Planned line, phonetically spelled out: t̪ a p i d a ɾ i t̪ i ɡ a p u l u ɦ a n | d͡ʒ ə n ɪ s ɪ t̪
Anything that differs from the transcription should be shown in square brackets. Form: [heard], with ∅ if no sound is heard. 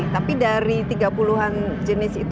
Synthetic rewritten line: t̪ a p i d a ɾ i t̪ i ɡ a p u l u ɦ a n | d͡ʒ ə n ɪ s [i] t̪

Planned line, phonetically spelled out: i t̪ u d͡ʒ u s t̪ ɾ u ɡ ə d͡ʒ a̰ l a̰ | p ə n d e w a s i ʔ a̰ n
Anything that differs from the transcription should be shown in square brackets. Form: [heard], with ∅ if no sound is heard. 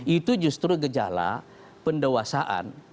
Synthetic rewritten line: i t̪ u d͡ʒ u s t̪ ɾ u ɡ ə d͡ʒ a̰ l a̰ | p ə n d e w a s [a] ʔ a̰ n

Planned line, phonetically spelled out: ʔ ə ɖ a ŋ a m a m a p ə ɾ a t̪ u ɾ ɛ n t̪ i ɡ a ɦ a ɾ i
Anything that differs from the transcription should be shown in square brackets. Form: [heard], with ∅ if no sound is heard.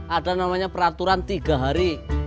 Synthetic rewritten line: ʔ [a] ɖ a [n] a m a [ɲ] a p ə ɾ a t̪ u ɾ [a] n t̪ i ɡ a ɦ a ɾ i

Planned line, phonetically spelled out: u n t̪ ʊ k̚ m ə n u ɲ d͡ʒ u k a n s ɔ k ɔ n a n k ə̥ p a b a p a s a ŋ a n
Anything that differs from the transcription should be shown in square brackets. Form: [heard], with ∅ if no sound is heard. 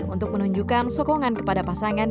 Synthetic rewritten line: u n t̪ ʊ k̚ m ə n u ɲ d͡ʒ u k a n s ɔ k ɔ [ŋ] a n k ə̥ p a [d] a p a s a ŋ a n

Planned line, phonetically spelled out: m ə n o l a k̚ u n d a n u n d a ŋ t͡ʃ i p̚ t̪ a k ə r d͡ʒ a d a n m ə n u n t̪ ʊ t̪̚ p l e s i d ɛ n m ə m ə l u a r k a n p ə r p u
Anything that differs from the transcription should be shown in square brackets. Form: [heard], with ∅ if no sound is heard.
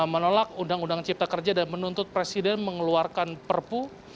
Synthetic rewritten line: m ə n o l a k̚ u n d a [ŋ] u n d a ŋ t͡ʃ i p̚ t̪ a k ə r d͡ʒ a d a n m ə n u n t̪ ʊ t̪̚ p [ɾ] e s i d ɛ n m ə [ŋ] ə l u a r k a n p ə r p u

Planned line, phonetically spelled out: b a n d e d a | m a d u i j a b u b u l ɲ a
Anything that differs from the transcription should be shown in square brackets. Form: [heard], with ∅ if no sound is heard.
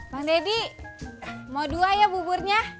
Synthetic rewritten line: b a [ŋ] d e d [i] | m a d u [a] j a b u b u [r] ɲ a

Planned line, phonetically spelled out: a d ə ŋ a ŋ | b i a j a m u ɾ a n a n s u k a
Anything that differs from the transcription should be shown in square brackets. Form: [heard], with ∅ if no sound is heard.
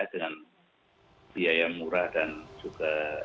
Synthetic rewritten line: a d ə ŋ a [n] | b i a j a m u ɾ a [d] a n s u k a

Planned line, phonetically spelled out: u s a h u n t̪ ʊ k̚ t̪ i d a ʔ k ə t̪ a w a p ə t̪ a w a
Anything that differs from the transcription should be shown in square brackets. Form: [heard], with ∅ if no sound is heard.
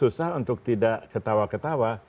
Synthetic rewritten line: u s a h u n t̪ ʊ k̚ t̪ i d a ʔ k ə t̪ a w a [k] ə t̪ a w a

